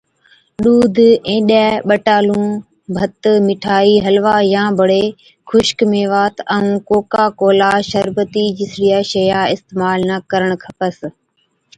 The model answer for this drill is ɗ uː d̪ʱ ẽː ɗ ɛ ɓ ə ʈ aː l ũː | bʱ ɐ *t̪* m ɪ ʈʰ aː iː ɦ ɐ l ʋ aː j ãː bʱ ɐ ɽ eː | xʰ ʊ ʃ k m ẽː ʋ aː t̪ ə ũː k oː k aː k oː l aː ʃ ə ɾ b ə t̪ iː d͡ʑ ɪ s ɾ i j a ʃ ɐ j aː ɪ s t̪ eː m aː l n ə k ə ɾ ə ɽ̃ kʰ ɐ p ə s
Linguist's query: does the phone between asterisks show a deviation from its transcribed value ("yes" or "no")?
no